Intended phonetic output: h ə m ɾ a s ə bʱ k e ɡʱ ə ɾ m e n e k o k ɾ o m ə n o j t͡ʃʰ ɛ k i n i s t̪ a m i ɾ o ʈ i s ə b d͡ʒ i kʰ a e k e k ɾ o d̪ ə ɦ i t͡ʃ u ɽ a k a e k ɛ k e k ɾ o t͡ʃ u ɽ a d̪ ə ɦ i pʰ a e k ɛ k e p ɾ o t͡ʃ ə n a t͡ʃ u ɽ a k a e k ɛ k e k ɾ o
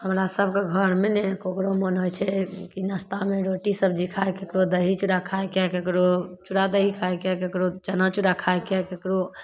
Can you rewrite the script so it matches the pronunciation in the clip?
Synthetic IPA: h ə m ɾ a s ə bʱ k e ɡʱ ə ɾ m e n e k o k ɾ o m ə n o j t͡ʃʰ ɛ k i n a s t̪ a m e ɾ o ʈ i s ə b d͡ʒ i kʰ a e k e k ɾ o d̪ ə ɦ i t͡ʃ u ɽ a kʰ a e k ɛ k e k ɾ o t͡ʃ u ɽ a d̪ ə ɦ i kʰ a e k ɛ k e k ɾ o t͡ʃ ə n a t͡ʃ u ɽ a kʰ a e k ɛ k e k ɾ o